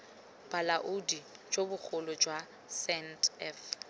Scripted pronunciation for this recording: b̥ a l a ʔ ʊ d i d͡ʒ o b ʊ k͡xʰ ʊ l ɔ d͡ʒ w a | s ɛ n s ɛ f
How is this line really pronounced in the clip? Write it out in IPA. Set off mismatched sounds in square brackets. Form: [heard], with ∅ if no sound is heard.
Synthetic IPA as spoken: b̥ a l a ʔ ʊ d i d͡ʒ o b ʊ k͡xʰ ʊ l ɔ d͡ʒ w a | s ɛ n [t] ɛ f